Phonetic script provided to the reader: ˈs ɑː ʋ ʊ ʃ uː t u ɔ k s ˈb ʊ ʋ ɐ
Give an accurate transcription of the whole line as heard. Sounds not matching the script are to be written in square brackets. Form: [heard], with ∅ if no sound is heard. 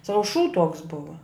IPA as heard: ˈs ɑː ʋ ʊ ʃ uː t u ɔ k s ˈb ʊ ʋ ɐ